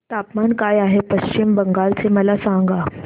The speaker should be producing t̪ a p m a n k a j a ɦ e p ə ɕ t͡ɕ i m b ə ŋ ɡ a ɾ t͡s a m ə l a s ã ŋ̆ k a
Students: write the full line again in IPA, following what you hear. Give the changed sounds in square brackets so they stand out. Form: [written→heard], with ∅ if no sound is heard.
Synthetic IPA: t̪ a p m a n k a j a ɦ e p ə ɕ t͡ɕ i m b ə ŋ ɡ a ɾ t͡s [a→e] m ə l a s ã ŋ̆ [k→ɡ] a